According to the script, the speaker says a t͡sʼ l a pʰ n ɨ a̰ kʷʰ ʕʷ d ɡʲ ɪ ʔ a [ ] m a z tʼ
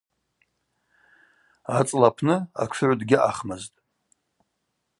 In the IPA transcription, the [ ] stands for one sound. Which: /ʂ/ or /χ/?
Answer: χ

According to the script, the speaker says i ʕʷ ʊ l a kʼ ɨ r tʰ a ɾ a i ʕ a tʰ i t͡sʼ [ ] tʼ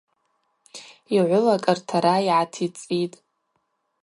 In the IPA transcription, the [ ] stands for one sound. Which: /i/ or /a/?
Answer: i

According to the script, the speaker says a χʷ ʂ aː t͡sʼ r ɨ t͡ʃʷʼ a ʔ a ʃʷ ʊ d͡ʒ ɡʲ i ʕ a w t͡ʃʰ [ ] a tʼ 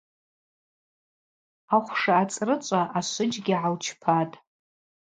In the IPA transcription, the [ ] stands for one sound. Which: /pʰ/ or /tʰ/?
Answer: pʰ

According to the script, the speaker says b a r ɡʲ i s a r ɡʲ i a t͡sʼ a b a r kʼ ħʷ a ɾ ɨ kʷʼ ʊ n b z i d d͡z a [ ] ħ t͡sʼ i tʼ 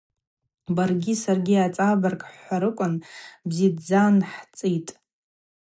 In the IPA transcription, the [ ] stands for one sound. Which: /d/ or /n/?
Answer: n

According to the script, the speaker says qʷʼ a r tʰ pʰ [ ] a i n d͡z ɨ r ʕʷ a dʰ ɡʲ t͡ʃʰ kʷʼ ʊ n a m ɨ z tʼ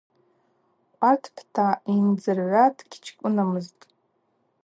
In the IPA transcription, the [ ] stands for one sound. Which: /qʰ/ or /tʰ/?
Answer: tʰ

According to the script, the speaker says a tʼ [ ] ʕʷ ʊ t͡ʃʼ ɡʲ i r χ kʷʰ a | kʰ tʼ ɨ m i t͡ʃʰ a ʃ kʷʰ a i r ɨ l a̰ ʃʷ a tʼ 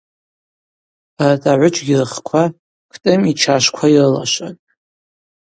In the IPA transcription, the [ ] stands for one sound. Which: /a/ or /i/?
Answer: a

